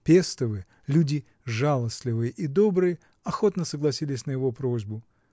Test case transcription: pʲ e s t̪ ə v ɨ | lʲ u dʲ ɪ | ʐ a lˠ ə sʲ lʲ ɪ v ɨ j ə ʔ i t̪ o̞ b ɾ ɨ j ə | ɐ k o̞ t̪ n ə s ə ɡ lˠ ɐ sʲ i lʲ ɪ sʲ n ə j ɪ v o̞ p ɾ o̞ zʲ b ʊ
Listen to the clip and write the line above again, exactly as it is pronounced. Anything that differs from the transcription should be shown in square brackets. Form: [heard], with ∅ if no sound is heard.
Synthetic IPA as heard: pʲ e s t̪ ə v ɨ | lʲ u dʲ ɪ | ʐ a lˠ ə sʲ lʲ ɪ v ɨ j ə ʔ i [d̪] o̞ b ɾ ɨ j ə | ɐ [x] o̞ t̪ n ə s ə ɡ lˠ ɐ sʲ i lʲ ɪ sʲ n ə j ɪ v o̞ p ɾ o̞ zʲ b ʊ